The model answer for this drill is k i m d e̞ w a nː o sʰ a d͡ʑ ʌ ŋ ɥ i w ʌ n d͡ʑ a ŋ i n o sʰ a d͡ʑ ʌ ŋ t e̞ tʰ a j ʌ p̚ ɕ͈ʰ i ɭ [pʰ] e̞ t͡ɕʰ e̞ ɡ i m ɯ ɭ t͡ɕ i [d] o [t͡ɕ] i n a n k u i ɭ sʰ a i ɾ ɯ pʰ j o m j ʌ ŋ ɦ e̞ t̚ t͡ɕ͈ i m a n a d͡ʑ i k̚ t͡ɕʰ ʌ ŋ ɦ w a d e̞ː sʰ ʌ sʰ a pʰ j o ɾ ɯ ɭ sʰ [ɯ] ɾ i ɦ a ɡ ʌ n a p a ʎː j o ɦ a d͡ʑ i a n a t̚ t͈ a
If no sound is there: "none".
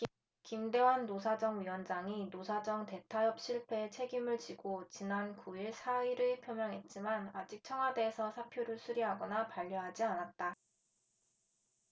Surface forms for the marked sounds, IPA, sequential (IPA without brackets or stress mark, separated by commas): pʰ, ɡ, t͡ɕ, u